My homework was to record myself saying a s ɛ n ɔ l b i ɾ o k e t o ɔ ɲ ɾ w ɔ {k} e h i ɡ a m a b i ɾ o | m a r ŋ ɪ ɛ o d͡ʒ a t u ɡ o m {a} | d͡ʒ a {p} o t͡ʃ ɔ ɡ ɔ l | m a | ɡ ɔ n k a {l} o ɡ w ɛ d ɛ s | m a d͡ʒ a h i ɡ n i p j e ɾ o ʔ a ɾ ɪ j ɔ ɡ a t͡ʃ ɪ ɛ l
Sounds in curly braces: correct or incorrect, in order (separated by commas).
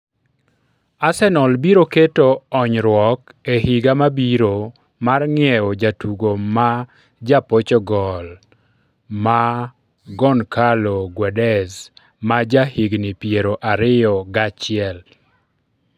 correct, correct, correct, correct